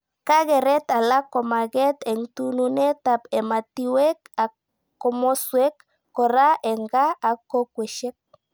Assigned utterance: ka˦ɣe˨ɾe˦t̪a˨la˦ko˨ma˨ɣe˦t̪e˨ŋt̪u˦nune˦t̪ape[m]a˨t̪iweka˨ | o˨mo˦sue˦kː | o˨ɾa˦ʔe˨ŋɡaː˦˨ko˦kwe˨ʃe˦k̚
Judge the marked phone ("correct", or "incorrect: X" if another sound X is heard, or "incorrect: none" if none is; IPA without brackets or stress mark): correct